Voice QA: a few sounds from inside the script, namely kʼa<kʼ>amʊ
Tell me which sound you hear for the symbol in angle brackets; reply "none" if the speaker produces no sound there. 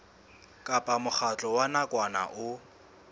pʼ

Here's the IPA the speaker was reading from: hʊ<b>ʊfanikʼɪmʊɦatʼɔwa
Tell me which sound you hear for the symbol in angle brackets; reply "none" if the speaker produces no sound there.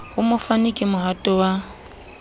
m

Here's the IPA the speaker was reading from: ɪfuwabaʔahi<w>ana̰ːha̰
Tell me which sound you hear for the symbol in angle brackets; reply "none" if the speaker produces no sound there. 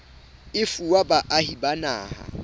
b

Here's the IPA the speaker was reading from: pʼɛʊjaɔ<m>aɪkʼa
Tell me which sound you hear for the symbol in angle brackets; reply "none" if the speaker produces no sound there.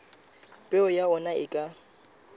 n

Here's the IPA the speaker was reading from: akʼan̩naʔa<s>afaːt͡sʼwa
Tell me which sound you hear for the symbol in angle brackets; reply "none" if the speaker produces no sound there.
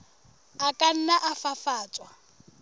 f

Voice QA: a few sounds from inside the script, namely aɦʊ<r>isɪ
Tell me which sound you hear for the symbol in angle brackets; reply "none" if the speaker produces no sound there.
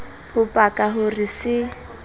r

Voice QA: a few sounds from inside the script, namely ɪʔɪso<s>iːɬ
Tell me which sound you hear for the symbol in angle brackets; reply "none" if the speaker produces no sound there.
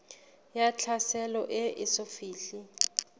f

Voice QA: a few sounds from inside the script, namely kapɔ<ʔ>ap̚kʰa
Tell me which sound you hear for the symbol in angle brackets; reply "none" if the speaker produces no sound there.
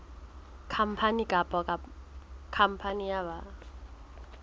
k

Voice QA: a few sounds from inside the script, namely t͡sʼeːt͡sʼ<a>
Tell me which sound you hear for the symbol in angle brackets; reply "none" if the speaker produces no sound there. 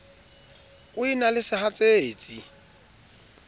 i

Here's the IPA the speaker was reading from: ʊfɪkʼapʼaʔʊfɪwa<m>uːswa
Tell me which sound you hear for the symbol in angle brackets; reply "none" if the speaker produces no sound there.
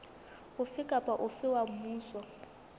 m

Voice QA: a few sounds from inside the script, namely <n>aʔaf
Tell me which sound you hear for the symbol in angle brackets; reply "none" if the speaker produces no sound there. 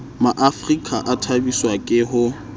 m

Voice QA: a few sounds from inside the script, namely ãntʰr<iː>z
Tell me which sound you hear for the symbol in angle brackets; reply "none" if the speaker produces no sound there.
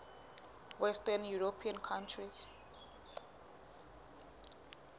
i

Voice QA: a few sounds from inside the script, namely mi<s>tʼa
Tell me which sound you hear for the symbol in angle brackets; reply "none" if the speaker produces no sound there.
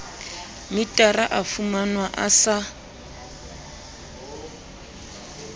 none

